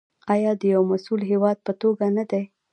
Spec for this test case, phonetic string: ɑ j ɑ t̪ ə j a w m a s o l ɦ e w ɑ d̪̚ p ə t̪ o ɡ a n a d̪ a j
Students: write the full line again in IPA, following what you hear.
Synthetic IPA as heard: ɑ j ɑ d̪ ə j a w m a s u l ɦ e w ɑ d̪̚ p ə t̪ o ɡ a n a d̪ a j